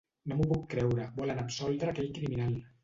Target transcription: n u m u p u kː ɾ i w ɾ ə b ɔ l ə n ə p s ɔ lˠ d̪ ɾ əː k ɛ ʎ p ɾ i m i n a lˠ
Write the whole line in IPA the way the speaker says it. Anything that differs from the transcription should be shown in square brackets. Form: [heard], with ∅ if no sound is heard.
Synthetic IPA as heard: n [o] m u p u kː ɾ [ɛ] w ɾ ə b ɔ l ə n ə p s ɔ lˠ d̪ ɾ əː k ɛ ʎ [k] ɾ i m i n a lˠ